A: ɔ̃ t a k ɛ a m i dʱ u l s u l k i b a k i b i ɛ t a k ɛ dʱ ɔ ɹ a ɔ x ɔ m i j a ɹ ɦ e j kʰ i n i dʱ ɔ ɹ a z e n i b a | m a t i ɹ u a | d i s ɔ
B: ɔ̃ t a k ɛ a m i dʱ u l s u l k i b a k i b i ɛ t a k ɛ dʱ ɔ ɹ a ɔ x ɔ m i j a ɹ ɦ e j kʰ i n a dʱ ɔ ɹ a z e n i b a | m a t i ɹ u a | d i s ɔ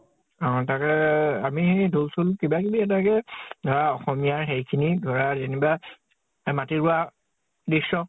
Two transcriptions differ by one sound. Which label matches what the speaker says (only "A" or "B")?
A